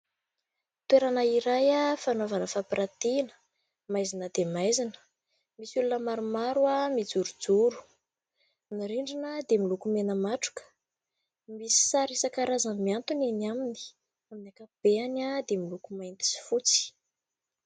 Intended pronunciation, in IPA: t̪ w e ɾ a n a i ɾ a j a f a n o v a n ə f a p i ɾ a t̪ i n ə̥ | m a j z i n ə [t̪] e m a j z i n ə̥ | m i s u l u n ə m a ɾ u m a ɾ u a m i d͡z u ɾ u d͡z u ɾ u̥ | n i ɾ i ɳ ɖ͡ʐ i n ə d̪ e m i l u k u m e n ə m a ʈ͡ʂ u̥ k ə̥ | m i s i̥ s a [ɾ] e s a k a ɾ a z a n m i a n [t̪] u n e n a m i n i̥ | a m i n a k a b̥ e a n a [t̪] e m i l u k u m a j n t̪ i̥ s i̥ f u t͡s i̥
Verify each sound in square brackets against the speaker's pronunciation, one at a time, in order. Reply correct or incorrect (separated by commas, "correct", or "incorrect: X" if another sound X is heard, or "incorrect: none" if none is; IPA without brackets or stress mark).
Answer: incorrect: d̪, correct, correct, incorrect: d̪